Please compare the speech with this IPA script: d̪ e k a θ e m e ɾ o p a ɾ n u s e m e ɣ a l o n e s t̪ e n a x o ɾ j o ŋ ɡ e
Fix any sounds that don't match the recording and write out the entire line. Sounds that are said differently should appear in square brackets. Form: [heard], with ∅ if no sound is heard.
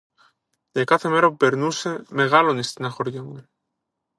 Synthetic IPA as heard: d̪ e k a θ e m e ɾ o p [e] ɾ n u s e m e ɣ a l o n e s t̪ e n a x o ɾ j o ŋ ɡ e